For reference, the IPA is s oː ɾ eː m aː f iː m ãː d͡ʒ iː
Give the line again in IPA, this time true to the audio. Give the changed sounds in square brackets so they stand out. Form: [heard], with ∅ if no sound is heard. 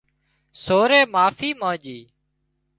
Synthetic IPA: s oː ɾ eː m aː f iː m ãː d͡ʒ iː